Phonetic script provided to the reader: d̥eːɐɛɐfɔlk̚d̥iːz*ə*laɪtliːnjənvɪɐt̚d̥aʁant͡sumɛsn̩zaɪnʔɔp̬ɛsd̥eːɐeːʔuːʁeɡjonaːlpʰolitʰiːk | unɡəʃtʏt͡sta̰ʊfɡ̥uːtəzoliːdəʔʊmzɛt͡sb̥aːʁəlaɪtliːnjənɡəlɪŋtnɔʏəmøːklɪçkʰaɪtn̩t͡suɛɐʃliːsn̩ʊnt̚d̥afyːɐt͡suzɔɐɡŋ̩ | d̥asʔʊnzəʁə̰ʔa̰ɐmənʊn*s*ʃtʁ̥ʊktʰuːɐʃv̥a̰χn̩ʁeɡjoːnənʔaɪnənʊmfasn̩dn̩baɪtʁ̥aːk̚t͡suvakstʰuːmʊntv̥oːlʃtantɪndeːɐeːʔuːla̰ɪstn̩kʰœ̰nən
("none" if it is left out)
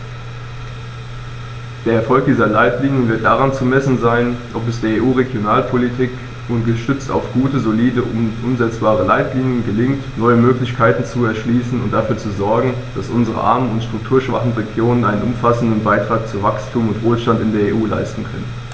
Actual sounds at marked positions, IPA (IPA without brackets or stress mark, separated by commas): ɐ, t